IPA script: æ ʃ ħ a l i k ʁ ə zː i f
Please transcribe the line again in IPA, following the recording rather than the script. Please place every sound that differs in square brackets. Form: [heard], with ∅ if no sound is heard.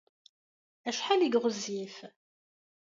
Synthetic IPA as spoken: æ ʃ ħ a l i [ɡ] ʁ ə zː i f